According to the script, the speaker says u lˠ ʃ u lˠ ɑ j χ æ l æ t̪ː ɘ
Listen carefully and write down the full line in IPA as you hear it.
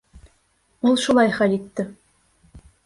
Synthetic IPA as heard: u lˠ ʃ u lˠ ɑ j χ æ l i t̪ː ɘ